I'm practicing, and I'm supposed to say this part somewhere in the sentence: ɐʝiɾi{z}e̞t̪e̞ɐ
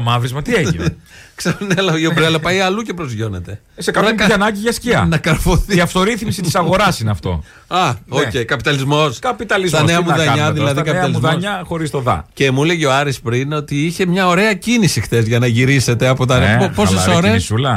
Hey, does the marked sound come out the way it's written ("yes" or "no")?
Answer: no